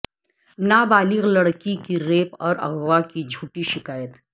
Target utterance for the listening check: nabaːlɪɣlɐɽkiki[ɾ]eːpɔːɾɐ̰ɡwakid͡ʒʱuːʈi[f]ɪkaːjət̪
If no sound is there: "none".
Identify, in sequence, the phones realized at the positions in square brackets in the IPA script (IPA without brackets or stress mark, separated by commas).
ɾ, ʃ